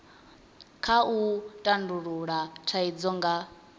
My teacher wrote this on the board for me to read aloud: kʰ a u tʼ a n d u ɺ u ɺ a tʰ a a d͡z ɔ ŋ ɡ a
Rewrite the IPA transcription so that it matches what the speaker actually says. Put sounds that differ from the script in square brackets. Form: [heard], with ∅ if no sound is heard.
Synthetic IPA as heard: kʰ a u tʼ a n d u ɺ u ɺ a tʰ a [i] d͡z ɔ ŋ ɡ a